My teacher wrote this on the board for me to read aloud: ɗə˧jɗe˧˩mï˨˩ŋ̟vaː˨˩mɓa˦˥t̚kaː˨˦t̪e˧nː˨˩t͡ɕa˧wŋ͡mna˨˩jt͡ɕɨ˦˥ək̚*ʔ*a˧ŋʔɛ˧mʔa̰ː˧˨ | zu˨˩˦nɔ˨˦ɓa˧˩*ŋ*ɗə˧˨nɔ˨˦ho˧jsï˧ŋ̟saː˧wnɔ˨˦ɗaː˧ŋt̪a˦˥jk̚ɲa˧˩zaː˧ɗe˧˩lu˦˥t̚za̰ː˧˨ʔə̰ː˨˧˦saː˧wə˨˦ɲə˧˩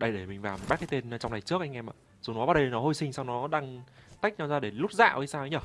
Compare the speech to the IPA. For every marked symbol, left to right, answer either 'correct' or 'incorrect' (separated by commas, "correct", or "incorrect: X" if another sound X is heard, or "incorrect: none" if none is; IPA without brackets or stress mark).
correct, incorrect: none